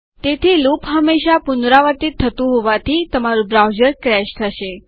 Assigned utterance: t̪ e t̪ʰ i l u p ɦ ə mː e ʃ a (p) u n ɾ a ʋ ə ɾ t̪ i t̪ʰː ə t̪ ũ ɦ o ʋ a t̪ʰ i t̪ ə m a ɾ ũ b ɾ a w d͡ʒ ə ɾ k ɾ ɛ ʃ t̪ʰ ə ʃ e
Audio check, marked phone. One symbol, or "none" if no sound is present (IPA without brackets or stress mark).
p